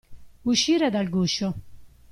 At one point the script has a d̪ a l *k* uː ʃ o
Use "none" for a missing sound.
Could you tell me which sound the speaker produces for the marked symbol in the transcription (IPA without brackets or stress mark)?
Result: ɡ